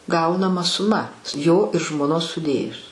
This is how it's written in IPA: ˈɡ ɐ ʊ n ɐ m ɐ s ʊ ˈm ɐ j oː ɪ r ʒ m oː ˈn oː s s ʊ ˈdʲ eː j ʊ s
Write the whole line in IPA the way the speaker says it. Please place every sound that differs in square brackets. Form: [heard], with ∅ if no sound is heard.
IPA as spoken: ˈɡ ɐ ʊ n ɐ m ɐ s ʊ ˈm ɐ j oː ɪ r ʒ m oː ˈn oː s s ʊ ˈdʲ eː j ʊ s